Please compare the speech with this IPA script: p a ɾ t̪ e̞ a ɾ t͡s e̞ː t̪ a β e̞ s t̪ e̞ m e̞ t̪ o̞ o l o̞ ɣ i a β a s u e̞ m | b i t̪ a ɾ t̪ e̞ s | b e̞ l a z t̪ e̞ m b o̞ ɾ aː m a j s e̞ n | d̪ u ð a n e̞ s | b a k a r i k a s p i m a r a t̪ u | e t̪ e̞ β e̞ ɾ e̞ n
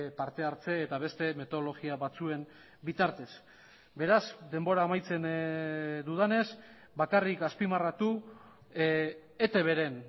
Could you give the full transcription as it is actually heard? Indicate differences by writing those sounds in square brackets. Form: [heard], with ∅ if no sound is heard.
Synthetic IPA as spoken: p a ɾ t̪ e̞ a ɾ t͡s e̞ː t̪ a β e̞ s t̪ e̞ m e̞ t̪ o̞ o l o̞ ɣ i a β a [t͡s] u e̞ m | b i t̪ a ɾ t̪ e̞ s | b e̞ [ɾ] a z [d̪] e̞ m b o̞ ɾ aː m a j [t͡s] e̞ n | d̪ u ð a n e̞ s | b a k a r i k a s p i m a r a t̪ u | e t̪ e̞ β e̞ ɾ e̞ n